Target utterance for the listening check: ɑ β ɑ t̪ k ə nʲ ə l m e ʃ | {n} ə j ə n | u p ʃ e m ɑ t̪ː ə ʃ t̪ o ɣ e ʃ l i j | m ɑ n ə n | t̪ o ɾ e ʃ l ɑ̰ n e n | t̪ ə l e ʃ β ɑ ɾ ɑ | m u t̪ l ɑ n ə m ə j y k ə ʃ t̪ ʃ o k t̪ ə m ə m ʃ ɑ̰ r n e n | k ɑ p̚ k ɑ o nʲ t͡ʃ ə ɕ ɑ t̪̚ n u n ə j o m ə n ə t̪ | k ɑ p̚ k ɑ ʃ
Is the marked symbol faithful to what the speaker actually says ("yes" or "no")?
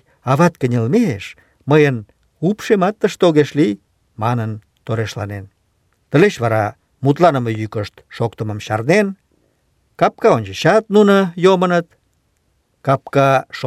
no